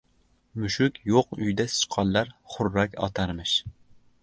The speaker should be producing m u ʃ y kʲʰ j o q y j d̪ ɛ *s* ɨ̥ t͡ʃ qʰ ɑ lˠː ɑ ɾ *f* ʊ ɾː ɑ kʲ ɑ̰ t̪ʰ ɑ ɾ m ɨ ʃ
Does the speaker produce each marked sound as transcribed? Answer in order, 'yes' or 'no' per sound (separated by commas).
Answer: yes, no